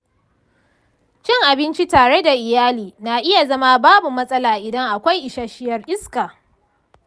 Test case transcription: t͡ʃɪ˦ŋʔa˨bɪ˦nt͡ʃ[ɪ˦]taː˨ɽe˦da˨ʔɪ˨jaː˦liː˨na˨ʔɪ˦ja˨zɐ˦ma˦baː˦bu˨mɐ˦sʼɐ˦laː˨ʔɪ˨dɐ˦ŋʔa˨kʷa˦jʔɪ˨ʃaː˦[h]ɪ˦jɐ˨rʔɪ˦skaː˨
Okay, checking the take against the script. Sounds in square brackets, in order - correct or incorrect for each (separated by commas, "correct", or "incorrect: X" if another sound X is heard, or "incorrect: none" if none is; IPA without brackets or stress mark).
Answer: incorrect: i˦, incorrect: ʃ